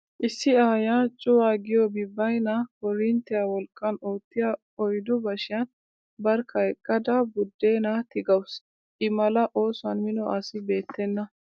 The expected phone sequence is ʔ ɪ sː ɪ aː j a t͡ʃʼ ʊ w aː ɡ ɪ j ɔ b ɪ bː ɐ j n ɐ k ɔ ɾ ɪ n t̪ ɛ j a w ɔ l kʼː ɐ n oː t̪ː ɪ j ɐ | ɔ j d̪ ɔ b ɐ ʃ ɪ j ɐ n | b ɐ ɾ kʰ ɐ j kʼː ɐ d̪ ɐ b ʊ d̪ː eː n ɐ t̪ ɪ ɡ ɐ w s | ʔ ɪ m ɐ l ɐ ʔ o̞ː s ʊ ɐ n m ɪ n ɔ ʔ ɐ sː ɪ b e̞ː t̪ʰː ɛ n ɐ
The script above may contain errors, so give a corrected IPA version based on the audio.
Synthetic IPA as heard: ʔ ɪ sː ɪ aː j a t͡ʃʼ ʊ w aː ɡ ɪ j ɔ b ɪ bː ɐ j n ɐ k ɔ ɾ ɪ n t̪ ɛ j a w ɔ l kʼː ɐ n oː t̪ː ɪ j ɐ | ɔ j d̪ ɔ b ɐ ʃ ɪ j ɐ n | b ɐ ɾ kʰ ɐ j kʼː ɐ d̪ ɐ b ʊ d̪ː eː n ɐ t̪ ɪ ɡ ɐ w s | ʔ ɪ m ɐ l ɐ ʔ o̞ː s ʊ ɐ n m ɪ n ɔ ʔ ɐ s ɪ b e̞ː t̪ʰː ɛ nː ɐ

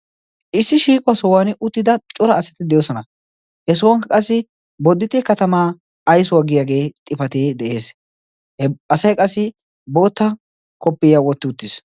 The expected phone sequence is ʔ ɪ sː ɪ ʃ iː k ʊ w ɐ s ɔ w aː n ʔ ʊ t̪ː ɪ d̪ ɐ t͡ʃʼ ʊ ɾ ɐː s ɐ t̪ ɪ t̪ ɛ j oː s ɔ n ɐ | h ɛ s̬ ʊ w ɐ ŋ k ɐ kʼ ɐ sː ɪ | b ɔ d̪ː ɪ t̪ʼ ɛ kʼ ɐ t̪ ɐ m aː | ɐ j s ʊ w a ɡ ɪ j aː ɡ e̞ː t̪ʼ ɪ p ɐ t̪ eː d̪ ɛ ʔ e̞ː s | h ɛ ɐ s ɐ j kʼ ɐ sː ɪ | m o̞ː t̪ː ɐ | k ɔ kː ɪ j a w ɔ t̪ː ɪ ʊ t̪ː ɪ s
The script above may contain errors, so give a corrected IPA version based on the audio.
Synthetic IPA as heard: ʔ ɪ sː ɪ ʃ iː kʼ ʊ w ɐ s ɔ w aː n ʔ ʊ t̪ː ɪ d̪ ɐ t͡ʃʼ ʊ ɾ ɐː s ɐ t̪ ɪ d̪ ɛ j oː s ɔ n ɐ | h ɛ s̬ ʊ w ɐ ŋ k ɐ kʼ ɐ sː ɪ | b ɔ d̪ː ɪ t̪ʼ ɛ k ɐ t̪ ɐ m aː | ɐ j s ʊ w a ɡ ɪ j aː ɡ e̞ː t̪ʼ ɪ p ɐ t̪ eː d̪ ɛ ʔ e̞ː s | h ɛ ɐ s ɐ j kʼ ɐ sː ɪ | b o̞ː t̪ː ɐ | k ɔ pː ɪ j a w ɔ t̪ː ɪ ʊ t̪ː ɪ s

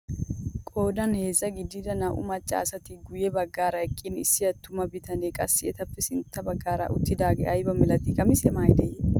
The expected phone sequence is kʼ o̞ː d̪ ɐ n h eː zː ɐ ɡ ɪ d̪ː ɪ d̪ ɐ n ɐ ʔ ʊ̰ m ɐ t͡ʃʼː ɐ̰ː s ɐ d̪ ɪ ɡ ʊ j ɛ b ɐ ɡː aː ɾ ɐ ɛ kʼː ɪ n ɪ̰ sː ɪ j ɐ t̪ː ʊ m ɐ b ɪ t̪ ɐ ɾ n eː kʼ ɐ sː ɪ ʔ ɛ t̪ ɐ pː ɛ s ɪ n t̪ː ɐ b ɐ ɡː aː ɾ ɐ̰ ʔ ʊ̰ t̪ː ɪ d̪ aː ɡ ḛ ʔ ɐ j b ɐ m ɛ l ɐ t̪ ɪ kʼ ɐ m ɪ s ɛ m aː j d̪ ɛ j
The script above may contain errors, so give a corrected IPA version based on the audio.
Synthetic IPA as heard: kʼ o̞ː d̪ ɐ n h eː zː ɐ ɡ ɪ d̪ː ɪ d̪ ɐ n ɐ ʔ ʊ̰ m ɐ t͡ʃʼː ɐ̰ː s ɐ t̪ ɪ ɡ ʊ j ɛ b ɐ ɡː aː ɾ ɐ ɛ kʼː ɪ n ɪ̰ sː ɪ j ɐ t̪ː ʊ m ɐ b ɪ t̪ ɐ n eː kʼ ɐ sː ɪ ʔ ɛ t̪ ɐ pː ɛ s ɪ n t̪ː ɐ b ɐ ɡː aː ɾ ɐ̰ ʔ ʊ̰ t̪ː ɪ d̪ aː ɡ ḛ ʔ ɐ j b ɐ m ɛ l ɐ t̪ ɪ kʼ ɐ m ɪ s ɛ m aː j d̪ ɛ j

